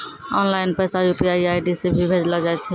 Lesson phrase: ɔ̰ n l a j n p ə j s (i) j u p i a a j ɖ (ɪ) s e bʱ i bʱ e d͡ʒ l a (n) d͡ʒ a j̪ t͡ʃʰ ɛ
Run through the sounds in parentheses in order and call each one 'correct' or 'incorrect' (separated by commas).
incorrect, incorrect, incorrect